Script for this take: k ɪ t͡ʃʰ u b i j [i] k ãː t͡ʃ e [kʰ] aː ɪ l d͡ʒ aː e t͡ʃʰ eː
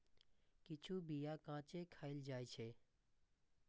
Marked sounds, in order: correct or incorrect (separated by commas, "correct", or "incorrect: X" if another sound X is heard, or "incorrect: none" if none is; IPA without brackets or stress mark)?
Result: incorrect: a, correct